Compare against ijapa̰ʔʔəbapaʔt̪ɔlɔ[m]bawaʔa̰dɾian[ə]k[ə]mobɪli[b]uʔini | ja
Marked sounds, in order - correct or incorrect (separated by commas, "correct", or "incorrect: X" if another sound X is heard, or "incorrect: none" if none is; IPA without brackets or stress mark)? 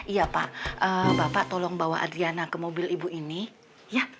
incorrect: ŋ, incorrect: a, correct, correct